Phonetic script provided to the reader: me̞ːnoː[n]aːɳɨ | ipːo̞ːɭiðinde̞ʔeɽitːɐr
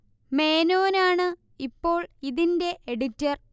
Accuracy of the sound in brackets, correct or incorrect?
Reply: correct